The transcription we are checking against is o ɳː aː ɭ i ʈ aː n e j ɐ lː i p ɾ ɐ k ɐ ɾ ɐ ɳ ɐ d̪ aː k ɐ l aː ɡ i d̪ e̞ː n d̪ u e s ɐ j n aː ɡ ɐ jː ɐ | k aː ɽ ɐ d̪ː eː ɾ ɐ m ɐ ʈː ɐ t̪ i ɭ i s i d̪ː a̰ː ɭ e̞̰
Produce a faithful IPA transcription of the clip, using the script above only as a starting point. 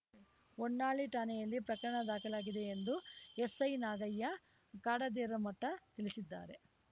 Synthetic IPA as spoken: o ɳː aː ɭ i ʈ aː n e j ɐ lː i p ɾ ɐ k ɐ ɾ ɐ ɳ ɐ d̪ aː k ɐ l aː ɡ i d̪ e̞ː n d̪ u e s ɐ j n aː ɡ ɐ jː ɐ | k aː ɽ ɐ d̪ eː ɾ ɐ m ɐ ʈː ɐ t̪ i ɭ i s i d̪ː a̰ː ɾ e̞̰